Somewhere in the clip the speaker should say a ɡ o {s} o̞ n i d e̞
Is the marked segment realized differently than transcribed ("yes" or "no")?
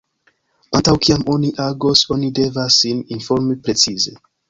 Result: no